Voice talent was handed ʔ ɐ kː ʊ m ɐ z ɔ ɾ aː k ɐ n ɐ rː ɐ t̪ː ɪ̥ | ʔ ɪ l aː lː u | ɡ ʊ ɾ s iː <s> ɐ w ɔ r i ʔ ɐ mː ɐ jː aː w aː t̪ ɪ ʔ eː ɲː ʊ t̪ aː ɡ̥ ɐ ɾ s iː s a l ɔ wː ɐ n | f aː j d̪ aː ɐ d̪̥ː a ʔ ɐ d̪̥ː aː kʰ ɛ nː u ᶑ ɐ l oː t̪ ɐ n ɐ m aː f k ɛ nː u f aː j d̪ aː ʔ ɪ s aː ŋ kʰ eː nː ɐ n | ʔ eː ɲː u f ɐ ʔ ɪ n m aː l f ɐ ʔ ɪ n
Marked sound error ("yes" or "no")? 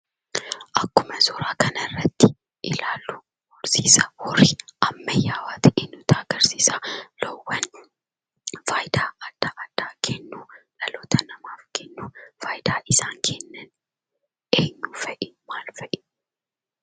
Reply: no